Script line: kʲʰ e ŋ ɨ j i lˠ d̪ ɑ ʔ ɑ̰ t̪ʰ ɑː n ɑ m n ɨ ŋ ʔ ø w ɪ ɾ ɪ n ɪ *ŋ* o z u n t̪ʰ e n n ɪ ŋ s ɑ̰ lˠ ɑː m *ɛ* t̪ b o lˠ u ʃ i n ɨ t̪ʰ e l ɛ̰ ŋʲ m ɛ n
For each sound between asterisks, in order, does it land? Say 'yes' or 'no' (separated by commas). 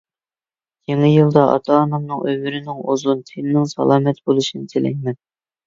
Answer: yes, yes